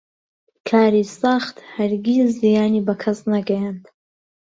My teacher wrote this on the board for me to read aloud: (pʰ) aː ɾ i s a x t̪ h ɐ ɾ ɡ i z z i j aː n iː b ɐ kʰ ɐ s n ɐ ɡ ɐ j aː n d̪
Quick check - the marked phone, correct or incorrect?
incorrect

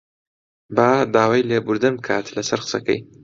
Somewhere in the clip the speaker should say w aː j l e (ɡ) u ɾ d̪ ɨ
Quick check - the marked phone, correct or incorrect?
incorrect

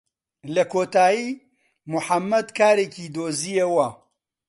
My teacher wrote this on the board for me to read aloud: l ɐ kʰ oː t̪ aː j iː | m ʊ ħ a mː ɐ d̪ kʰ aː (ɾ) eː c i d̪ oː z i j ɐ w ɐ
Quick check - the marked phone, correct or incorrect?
correct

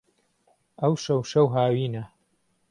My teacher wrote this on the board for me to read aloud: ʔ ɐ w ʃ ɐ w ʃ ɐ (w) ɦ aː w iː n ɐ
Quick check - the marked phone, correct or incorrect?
correct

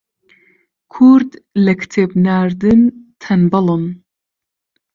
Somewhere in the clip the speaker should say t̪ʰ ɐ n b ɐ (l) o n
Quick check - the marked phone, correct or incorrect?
correct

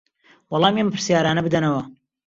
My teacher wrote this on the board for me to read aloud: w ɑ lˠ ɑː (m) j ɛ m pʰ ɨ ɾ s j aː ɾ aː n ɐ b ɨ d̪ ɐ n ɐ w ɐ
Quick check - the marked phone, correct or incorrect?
correct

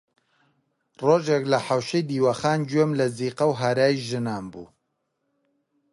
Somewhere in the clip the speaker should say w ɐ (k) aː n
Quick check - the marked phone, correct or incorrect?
incorrect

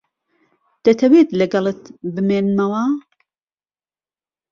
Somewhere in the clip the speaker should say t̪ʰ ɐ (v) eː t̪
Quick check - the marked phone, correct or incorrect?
incorrect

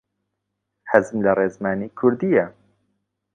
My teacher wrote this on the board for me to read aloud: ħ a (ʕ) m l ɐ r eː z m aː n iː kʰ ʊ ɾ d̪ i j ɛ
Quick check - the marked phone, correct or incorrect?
incorrect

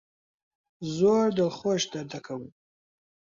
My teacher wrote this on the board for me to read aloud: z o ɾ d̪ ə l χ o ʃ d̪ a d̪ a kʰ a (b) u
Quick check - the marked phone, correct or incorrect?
incorrect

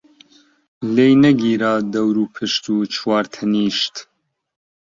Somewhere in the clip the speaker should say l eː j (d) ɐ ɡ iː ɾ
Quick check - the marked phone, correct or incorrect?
incorrect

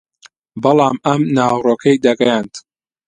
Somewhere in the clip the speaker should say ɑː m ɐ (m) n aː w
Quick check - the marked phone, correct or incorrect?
correct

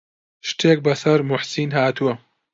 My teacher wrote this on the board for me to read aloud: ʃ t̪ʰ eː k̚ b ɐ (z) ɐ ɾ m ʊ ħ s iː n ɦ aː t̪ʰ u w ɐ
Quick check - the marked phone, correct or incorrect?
incorrect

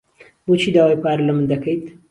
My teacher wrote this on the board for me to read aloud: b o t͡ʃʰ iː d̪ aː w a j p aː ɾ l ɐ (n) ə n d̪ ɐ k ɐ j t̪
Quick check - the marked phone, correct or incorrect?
incorrect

